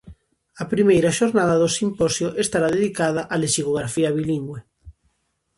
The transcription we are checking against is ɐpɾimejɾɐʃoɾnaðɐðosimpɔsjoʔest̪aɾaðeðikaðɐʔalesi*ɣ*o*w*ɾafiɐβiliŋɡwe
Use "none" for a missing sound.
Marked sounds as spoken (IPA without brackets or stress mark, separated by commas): ɣ, ɣ